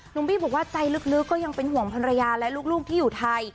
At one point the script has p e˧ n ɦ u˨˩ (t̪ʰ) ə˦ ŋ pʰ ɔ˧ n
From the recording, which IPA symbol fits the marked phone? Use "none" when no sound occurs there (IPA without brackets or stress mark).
none